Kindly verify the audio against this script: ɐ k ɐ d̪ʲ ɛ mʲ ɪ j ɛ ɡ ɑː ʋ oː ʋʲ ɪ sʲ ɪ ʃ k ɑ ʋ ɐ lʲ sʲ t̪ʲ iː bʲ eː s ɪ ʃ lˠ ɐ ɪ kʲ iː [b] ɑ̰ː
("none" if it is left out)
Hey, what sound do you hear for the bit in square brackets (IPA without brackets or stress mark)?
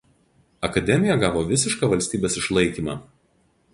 m